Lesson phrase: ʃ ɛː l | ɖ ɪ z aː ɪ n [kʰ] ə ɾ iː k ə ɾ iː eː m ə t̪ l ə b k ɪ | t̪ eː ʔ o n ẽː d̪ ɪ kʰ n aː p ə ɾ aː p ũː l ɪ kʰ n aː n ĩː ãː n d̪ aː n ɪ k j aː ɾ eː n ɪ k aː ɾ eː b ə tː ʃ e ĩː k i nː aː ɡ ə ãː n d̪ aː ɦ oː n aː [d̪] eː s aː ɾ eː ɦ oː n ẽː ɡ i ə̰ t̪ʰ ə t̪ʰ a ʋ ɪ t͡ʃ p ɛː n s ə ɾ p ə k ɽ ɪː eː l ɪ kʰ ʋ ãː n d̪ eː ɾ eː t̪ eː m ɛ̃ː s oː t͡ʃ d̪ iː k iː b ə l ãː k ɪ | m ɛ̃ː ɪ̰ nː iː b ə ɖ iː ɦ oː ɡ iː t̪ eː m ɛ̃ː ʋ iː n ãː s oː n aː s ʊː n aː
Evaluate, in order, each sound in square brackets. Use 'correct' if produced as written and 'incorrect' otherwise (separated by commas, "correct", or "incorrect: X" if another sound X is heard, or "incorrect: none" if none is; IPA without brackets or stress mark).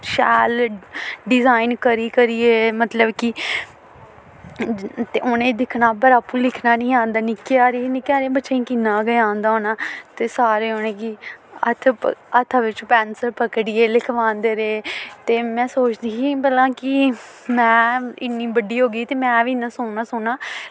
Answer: incorrect: k, incorrect: t̪